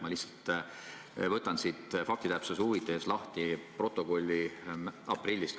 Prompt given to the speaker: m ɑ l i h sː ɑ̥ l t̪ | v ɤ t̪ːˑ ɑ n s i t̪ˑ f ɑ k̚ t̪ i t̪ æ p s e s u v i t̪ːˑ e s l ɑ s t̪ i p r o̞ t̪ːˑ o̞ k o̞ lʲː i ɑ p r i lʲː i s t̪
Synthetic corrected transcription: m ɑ l i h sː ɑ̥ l t̪ | v ɤ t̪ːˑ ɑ n s i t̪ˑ f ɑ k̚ t̪ i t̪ æ p s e s u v i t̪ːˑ e s l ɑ h t̪ i p r o̞ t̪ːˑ o̞ k o̞ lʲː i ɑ p r i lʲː i s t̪